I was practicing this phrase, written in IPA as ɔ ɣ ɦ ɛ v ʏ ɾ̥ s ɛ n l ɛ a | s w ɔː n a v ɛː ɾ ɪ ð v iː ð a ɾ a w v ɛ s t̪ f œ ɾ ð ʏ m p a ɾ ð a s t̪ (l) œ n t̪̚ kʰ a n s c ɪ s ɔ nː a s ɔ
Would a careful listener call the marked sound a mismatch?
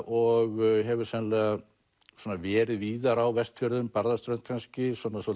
yes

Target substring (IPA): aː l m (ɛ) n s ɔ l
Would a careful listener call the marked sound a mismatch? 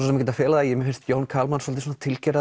yes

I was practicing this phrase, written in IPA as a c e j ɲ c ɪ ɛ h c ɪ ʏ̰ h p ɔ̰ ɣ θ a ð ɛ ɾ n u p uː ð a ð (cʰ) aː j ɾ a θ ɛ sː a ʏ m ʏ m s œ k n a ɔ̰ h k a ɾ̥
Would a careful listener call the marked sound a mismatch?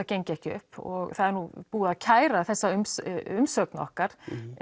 no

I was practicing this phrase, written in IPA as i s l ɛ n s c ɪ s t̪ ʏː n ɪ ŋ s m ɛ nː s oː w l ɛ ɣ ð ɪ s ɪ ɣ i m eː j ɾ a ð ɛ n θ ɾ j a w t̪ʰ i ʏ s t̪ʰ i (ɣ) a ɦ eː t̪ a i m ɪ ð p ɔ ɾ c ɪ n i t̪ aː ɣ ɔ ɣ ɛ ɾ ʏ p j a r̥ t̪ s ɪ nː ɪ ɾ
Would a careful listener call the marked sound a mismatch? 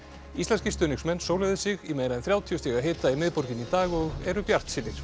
no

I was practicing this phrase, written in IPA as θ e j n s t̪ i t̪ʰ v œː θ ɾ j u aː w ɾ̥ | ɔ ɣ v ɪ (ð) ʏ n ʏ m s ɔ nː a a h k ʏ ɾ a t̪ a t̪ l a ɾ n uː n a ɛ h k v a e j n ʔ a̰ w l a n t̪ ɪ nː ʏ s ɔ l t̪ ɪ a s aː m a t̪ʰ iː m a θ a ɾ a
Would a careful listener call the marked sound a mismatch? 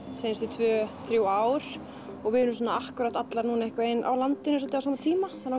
no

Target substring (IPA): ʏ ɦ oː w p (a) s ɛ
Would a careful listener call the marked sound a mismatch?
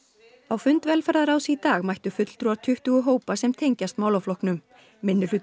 no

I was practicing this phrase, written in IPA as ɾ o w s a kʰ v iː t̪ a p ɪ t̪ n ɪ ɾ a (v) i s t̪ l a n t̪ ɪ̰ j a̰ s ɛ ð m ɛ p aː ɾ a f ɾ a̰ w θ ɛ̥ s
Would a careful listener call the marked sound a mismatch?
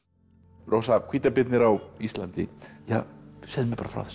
yes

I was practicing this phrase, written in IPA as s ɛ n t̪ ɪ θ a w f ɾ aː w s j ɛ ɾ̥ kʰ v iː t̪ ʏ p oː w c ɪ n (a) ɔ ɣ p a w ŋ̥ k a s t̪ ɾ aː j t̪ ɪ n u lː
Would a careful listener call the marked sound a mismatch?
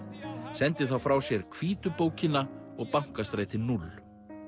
no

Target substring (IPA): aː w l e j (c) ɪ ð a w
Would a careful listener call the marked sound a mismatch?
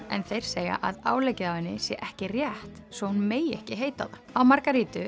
no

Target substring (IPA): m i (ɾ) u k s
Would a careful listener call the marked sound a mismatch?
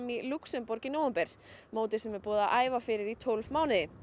yes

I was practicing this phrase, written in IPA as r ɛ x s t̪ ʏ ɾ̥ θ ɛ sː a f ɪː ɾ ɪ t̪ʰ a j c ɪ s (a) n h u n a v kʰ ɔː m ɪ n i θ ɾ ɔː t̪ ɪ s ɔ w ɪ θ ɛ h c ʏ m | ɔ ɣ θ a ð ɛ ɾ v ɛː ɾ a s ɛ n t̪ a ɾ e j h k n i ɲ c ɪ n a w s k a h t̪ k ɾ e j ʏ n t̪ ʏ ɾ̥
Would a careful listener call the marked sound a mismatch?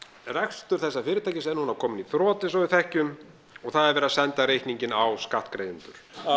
yes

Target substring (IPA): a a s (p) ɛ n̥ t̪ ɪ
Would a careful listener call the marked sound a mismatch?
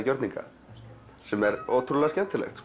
yes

